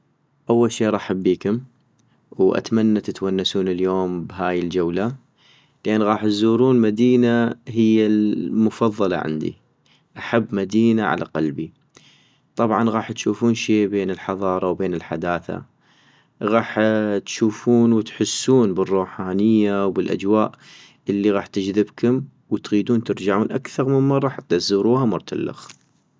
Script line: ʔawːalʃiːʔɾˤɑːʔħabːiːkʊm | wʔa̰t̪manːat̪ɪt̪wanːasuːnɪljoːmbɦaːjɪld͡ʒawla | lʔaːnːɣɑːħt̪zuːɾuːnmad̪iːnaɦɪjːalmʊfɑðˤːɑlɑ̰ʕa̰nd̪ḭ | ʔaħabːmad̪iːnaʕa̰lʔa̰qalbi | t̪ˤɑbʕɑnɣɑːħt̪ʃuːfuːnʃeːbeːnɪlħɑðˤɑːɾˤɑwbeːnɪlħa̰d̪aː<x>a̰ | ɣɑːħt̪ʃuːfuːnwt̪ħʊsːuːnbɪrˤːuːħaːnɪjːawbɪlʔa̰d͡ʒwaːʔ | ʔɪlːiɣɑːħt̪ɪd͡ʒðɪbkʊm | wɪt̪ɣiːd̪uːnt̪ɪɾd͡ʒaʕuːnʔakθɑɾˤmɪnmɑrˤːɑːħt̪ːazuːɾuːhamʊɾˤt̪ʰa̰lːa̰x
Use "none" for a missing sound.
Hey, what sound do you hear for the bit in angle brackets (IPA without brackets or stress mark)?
θ